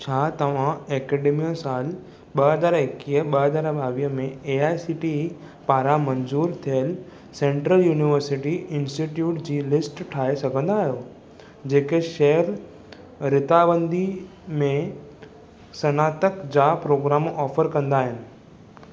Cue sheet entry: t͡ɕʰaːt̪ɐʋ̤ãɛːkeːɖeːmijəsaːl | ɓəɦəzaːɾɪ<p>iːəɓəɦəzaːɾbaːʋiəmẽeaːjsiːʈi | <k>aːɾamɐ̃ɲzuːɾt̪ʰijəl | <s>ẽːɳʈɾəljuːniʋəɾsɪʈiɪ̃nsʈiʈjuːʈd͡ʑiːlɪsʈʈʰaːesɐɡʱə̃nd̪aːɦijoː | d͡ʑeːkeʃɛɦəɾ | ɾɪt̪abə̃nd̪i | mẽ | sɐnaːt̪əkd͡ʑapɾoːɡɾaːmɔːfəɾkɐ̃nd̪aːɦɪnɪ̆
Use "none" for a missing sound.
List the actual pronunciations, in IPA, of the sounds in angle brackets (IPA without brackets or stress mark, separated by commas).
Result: k, p, s